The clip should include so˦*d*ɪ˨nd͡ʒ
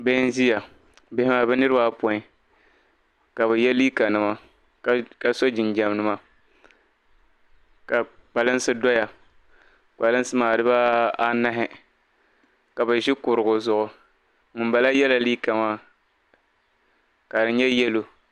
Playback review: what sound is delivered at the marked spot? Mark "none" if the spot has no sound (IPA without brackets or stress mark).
d͡ʒ